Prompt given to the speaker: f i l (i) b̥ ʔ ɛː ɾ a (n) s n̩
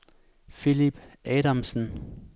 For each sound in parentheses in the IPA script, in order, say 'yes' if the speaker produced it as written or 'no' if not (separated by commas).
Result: yes, no